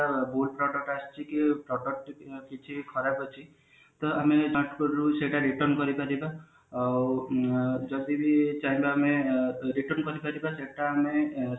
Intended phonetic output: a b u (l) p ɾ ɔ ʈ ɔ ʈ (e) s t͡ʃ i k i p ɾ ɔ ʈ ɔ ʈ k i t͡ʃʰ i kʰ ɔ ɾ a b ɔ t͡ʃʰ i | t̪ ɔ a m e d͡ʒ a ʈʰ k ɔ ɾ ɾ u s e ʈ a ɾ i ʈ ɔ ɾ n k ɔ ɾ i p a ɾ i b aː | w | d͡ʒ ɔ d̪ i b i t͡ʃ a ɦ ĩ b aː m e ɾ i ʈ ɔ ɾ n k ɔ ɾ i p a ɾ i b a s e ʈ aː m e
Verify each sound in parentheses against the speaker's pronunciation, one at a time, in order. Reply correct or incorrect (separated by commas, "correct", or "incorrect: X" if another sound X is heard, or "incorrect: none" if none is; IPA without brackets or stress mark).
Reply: correct, incorrect: a